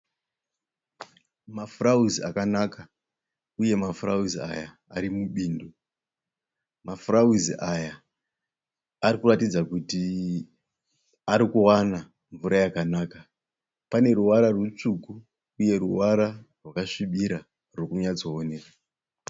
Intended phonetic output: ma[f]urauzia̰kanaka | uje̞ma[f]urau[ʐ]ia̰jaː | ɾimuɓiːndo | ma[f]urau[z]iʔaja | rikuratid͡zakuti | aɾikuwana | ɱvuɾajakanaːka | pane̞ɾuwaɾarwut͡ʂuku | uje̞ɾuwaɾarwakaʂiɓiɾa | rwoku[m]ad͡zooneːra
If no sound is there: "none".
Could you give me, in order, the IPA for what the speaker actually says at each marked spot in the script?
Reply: f, f, z, f, z, ɲ

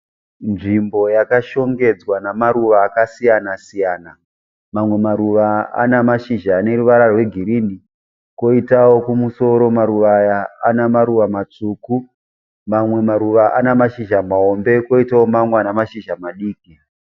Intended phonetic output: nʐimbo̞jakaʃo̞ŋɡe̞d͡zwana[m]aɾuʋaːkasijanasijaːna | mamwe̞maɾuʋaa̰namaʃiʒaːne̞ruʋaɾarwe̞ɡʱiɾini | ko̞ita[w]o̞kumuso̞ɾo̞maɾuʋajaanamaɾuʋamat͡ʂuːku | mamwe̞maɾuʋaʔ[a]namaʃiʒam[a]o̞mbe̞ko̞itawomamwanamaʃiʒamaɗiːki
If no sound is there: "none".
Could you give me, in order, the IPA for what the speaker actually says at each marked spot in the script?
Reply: m, w, a, a

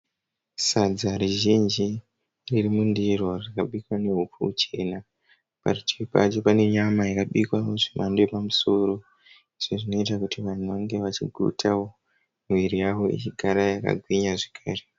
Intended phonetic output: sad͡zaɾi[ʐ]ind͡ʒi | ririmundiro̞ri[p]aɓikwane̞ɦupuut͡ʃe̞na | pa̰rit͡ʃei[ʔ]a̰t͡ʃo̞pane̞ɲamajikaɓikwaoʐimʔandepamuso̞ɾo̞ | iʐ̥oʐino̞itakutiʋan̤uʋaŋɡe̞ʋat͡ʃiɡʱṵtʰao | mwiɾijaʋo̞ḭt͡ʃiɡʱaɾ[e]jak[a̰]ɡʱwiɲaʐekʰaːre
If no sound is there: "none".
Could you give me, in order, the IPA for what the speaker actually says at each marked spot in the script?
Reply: ʒ, k, p, a, a̰

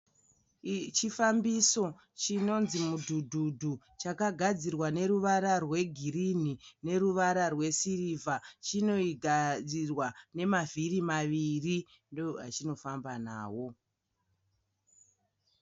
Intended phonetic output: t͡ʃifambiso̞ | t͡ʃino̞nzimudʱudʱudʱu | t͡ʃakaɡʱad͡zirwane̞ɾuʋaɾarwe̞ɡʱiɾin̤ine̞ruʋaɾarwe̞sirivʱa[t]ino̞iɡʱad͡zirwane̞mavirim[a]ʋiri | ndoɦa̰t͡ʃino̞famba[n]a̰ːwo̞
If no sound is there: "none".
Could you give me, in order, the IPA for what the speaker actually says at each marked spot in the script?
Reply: t͡ʃ, a, n

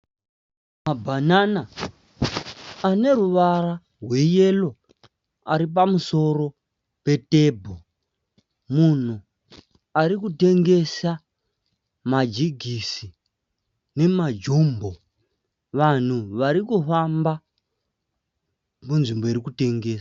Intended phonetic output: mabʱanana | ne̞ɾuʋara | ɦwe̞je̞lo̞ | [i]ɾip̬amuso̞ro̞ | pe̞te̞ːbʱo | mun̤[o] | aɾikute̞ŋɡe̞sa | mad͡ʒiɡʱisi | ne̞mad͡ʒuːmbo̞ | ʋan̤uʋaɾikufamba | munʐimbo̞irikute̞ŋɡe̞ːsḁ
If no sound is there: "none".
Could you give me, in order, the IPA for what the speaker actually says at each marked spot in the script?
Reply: a, u

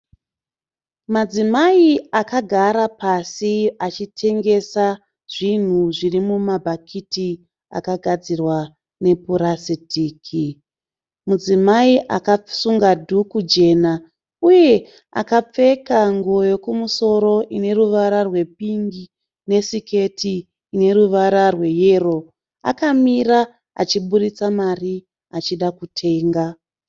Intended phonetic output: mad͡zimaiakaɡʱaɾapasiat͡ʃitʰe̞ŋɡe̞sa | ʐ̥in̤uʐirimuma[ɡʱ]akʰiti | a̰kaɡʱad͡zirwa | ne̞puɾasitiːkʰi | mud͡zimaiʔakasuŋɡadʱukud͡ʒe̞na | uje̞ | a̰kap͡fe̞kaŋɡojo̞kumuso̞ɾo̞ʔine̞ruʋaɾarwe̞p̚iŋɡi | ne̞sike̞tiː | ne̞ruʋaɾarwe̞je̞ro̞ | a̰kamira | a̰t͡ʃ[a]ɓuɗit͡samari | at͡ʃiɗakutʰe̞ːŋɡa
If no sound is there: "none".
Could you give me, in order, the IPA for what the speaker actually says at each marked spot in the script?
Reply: bʱ, i

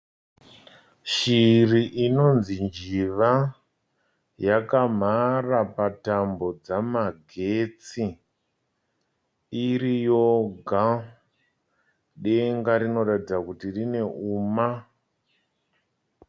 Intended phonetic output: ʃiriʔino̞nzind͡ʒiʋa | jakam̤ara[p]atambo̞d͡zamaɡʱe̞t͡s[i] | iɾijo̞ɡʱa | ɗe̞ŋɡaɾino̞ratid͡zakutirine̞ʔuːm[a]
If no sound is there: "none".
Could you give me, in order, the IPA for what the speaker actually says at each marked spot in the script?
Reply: p, i, a

